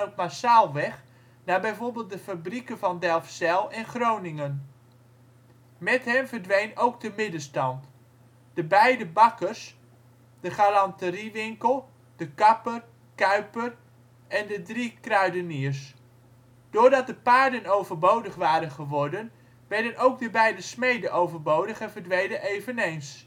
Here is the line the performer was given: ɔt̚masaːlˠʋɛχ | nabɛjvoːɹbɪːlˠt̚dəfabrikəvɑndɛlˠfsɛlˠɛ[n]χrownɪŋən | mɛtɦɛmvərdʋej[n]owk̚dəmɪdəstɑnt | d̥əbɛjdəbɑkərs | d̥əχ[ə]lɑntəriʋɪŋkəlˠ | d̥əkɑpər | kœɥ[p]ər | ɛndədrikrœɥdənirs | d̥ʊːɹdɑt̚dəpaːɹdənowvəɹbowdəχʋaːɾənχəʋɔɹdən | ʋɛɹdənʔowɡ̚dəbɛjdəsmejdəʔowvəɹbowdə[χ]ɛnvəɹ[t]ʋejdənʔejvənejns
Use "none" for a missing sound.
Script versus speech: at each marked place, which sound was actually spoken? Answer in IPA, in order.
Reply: n, n, a, p, χ, d

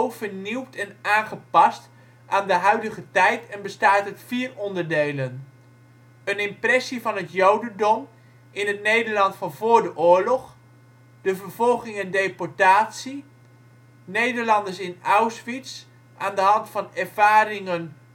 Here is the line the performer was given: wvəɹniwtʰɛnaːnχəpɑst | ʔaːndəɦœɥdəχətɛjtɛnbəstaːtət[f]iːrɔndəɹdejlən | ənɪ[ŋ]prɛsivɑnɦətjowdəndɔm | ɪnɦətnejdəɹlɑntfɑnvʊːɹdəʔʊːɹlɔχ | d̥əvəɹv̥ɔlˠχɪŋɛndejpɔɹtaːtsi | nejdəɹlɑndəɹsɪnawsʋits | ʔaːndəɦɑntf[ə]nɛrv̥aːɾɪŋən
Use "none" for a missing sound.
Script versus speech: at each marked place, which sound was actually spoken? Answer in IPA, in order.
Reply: f, m, ɑ

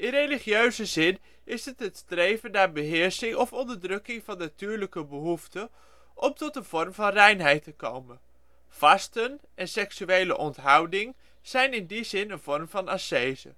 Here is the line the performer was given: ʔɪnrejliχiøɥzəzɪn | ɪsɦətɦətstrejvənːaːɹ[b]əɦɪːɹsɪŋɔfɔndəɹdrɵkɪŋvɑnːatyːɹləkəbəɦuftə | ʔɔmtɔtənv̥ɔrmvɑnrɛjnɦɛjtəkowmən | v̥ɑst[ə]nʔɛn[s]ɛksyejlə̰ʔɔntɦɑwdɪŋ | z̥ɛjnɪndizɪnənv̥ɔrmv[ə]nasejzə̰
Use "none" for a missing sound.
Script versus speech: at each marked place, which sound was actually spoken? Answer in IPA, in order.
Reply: b, ə, s, ɑ

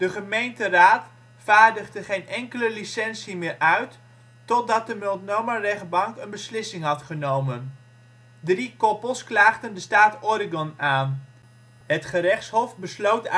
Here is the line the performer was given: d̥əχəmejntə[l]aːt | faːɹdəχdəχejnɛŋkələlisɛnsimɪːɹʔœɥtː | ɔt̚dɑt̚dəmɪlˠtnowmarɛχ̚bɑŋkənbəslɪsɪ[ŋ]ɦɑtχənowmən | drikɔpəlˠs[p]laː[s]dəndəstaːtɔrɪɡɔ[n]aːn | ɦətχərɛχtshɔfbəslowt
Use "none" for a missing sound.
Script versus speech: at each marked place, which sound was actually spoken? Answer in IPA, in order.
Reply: r, ŋ, k, χ, n

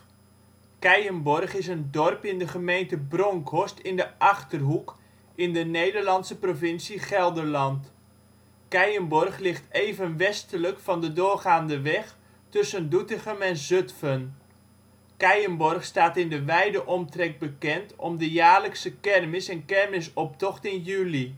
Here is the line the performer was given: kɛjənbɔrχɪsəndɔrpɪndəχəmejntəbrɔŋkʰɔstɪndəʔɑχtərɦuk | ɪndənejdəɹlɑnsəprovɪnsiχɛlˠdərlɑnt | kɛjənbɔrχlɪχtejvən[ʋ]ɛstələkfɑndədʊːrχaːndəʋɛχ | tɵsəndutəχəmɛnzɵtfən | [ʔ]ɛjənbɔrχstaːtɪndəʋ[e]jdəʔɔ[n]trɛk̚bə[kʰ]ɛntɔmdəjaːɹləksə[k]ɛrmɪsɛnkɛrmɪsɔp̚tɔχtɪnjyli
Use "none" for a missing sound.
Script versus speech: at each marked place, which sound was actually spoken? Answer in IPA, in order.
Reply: ʋ, k, ɛ, m, k, k

